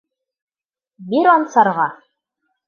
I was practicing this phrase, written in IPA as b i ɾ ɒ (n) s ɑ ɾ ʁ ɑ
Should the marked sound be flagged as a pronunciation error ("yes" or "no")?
no